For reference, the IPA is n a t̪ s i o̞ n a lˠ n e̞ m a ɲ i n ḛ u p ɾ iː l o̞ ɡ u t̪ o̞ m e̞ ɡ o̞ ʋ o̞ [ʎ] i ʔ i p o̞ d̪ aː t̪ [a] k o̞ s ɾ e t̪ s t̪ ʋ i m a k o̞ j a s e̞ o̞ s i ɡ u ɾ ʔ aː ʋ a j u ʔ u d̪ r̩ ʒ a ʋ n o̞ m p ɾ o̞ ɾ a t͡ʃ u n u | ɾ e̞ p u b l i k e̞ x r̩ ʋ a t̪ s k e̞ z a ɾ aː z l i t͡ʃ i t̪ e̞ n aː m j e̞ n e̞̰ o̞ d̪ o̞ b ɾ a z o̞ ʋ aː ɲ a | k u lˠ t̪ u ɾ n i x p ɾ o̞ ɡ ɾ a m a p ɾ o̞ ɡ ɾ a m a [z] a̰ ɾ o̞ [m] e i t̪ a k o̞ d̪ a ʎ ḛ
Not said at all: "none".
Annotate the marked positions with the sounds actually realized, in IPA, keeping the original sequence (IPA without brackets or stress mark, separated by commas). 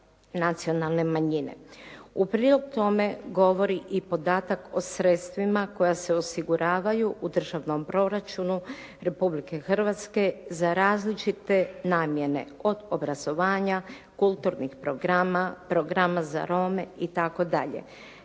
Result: ɾ, a, z, m